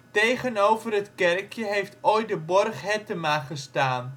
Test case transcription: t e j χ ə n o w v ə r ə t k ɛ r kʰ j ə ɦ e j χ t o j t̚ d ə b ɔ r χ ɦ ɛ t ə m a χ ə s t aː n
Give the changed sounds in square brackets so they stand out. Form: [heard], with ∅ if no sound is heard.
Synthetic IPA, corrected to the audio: t e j χ ə n o w v ə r ə t k ɛ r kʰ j ə ɦ e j [f] t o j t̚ d ə b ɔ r χ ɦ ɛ t ə m a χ ə s t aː n

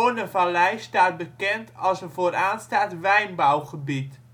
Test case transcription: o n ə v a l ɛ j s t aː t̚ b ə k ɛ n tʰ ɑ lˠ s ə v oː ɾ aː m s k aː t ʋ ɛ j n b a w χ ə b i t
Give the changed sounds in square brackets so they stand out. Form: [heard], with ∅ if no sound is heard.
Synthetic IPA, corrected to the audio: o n ə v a l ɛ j s t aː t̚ b ə k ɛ n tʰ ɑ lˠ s ə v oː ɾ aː [n] s [t] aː t ʋ ɛ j n b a w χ ə b i t

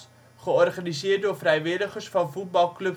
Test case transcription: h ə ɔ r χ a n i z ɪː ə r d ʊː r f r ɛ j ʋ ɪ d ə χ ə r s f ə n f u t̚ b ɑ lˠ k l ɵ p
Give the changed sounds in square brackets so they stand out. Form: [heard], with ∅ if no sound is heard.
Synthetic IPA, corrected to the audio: [χ] ə ɔ r χ a n i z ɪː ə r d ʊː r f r ɛ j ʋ ɪ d ə χ ə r s f [ɑ] n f u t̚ b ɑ lˠ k l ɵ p

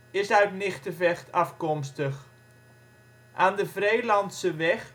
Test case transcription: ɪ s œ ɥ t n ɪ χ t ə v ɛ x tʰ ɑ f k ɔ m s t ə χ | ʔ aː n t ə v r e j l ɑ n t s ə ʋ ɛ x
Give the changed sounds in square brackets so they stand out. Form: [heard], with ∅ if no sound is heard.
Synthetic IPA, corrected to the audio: ɪ s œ ɥ t n ɪ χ t ə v ɛ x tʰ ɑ f k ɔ m s t ə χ | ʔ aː n [d] ə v r e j l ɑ n t s ə ʋ ɛ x

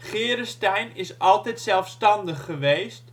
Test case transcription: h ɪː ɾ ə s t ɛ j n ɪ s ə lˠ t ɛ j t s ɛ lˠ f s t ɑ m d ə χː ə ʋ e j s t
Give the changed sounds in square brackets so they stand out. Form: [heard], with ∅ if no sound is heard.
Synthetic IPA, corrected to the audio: [χ] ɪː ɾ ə s t ɛ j n ɪ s [ɑ] lˠ t ɛ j t s ɛ lˠ f s t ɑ [n] d ə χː ə ʋ e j s t

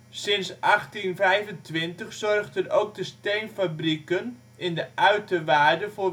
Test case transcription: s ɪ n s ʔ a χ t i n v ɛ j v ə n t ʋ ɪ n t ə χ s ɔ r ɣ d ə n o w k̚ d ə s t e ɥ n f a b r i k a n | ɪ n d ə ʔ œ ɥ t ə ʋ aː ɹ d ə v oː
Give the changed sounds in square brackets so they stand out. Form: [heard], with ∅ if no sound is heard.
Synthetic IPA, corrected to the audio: s ɪ n s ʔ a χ t i n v ɛ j v ə n t ʋ ɪ n t ə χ s ɔ r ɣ d ə n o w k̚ d ə s t e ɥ n f a b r i k [ə] n | ɪ n d ə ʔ œ ɥ t ə ʋ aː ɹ d ə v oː

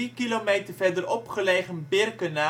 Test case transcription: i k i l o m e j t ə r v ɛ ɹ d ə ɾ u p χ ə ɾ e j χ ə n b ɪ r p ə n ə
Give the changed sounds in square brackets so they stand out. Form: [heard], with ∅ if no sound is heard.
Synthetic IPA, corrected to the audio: i k i l o m e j t ə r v ɛ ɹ d ə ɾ [ɔ] p χ ə [l] e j χ ə n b ɪ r [k] ə n [a]

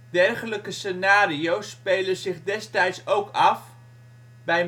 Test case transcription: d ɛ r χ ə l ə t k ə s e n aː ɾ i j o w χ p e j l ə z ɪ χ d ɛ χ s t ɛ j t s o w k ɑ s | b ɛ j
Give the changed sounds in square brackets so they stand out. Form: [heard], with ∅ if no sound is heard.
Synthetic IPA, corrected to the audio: d ɛ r χ ə l ə [∅] k ə s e n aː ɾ i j o w [s] p e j l ə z ɪ χ d ɛ [∅] s t ɛ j t s o w k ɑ [f] | b ɛ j

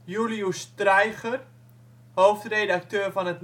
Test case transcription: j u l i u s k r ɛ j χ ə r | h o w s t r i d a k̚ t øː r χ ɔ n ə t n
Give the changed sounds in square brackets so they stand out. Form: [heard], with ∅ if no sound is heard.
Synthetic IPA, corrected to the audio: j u l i u s [t] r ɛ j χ ə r | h o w [f] t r [e] d a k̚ t øː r [f] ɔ n ə t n

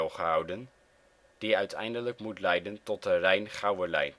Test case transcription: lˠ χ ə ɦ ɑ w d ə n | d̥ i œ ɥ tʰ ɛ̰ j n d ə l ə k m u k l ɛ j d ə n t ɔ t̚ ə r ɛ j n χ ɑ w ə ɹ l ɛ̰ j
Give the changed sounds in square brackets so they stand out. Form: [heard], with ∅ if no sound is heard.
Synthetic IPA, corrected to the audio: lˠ χ ə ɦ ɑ w d ə n | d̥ i œ ɥ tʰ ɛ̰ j n d ə l ə k m u [t] l ɛ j d ə n t ɔ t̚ ə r ɛ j n χ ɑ w ə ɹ l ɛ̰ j

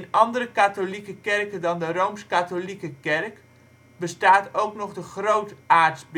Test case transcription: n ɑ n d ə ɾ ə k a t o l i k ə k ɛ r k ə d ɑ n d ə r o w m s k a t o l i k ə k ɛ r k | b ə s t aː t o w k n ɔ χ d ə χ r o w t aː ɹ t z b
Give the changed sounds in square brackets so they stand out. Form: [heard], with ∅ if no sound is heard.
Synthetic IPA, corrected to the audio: n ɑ n d ə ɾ ə k a t o l i k ə k ɛ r k ə d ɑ n d ə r o w m s k a t o l i k ə k ɛ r k | b ə s t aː t o w k n ɔ χ d ə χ r o w t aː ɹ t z b

